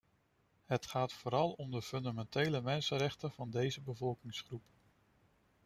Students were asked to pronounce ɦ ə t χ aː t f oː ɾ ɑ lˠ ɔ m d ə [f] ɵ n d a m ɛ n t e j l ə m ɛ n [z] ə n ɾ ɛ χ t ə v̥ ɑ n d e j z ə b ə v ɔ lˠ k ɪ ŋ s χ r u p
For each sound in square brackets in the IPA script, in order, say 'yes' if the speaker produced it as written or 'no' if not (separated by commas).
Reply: yes, no